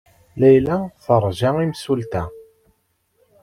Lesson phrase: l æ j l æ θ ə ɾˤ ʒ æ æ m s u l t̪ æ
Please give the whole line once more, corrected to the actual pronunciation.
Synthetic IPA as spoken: l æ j l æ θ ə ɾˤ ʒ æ i m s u l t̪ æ